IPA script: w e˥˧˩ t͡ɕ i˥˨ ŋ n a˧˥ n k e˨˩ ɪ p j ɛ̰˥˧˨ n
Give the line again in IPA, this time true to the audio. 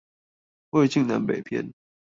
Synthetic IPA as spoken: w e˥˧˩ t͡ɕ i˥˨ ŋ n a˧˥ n p e˨˩ ɪ pʰ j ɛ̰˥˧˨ n